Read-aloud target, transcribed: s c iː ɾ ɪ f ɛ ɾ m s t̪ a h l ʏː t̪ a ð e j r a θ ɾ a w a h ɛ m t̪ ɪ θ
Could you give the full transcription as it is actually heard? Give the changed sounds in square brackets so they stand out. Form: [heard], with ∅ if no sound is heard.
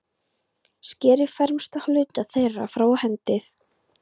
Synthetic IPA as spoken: s c [ɛː] ɾ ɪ f ɛ ɾ m s t̪ a h l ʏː t̪ a [θ] e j r a [f] ɾ a w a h ɛ [n] t̪ ɪ θ